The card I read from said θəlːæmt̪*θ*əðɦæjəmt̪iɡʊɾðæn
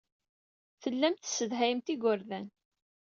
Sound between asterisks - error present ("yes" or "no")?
yes